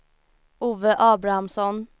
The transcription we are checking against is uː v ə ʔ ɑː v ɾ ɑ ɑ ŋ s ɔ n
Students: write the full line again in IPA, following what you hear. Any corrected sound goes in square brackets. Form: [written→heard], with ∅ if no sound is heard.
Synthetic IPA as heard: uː [v→ʋ] ə ʔ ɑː [v→b] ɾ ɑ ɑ [ŋ→m] s ɔ n